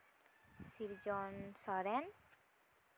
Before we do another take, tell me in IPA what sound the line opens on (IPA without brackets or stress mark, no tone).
s